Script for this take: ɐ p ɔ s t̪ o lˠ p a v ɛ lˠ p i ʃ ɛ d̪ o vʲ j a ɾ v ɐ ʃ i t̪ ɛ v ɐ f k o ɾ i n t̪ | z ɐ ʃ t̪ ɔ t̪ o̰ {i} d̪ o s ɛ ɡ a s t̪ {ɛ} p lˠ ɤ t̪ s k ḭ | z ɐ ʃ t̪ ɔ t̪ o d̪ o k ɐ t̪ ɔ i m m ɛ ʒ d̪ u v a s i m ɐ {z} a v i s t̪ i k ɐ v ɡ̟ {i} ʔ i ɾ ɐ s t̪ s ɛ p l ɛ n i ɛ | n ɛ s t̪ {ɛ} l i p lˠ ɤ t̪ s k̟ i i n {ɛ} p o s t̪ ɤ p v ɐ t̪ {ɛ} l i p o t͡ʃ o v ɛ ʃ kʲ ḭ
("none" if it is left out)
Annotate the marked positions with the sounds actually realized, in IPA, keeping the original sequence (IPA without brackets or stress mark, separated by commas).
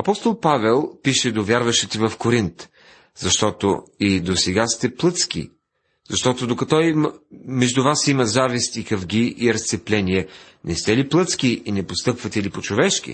i, ɛ, z, i, ɛ, ɛ, ɛ